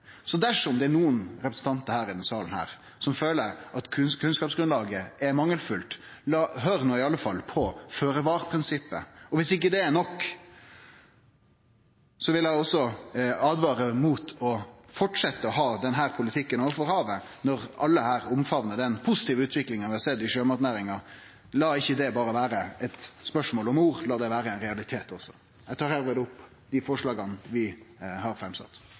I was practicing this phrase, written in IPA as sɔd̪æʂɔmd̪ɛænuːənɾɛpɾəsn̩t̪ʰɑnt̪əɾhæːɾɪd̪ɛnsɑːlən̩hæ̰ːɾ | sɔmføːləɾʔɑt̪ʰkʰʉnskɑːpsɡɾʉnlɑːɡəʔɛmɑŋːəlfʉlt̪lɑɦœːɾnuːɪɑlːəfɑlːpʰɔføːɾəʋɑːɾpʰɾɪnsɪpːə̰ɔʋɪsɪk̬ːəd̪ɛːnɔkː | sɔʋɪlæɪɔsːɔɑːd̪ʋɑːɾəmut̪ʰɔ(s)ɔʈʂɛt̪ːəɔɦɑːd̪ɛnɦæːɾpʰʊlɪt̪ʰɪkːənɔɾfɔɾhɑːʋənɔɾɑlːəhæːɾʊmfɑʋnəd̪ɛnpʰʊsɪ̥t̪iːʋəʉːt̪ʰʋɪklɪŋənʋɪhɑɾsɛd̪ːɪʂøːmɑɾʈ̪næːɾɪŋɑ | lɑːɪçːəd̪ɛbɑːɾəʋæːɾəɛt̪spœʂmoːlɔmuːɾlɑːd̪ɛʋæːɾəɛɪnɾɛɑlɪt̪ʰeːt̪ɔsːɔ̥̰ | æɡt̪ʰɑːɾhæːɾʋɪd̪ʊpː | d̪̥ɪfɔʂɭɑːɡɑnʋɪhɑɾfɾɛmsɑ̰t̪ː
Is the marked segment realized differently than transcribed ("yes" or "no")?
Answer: yes